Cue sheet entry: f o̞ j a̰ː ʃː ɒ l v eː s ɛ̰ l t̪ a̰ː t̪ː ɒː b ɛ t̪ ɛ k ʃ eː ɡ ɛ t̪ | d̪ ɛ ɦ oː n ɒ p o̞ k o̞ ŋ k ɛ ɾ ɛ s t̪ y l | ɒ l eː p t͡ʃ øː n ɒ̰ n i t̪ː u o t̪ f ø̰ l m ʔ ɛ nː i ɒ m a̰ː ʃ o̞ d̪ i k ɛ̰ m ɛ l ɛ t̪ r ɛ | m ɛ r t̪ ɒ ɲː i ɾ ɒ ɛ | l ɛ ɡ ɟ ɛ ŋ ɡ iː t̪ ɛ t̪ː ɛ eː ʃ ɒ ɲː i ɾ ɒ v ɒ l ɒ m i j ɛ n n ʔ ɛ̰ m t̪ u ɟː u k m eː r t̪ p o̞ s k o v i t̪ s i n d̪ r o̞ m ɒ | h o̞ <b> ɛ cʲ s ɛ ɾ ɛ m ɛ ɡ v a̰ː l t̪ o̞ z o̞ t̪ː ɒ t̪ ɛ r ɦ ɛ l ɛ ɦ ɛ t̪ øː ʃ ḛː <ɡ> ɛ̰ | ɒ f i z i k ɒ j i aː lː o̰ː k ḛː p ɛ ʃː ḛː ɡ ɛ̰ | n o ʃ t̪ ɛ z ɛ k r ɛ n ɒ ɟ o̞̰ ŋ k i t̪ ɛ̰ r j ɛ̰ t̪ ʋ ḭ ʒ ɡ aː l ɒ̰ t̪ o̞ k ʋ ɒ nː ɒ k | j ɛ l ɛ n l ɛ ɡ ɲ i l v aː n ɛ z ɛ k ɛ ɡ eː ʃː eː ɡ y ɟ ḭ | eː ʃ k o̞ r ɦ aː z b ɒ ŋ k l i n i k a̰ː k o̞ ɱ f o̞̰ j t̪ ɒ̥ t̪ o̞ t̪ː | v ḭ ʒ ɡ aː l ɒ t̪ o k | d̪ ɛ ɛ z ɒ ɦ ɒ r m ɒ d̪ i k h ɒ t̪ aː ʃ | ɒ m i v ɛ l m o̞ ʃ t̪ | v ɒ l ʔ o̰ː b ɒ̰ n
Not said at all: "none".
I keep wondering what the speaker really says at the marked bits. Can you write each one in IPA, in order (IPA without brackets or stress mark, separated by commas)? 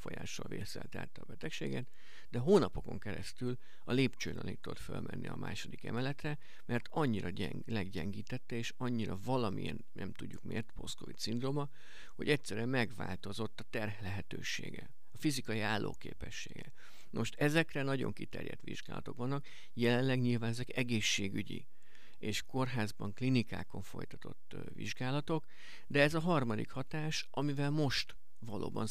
ɟ, ɡ